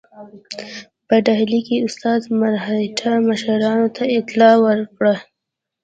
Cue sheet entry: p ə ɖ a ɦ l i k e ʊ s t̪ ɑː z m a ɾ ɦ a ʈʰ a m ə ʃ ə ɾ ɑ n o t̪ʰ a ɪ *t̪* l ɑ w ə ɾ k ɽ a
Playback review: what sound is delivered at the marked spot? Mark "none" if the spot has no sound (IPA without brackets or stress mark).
t̪